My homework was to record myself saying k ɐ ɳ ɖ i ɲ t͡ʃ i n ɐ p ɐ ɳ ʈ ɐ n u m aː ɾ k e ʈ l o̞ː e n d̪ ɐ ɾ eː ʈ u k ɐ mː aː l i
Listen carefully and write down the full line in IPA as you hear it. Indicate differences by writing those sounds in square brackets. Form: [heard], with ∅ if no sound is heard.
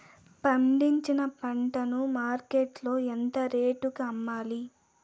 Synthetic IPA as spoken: [p] ɐ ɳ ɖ i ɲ t͡ʃ i n ɐ p ɐ ɳ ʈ ɐ n u m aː ɾ k e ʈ l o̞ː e n [t̪] ɐ ɾ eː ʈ u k ɐ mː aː l i